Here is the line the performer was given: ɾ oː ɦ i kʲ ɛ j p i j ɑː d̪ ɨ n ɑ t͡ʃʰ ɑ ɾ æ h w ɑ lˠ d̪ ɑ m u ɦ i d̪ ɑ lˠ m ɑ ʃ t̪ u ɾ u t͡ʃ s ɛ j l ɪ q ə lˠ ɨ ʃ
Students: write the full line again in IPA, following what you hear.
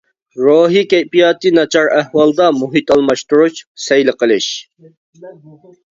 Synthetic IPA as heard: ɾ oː ɦ i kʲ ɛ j p i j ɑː t̪ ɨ n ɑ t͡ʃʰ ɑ ɾ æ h w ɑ lˠ d̪ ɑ m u ɦ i t̪ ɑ lˠ m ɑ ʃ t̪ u ɾ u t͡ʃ s ɛ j l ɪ q ə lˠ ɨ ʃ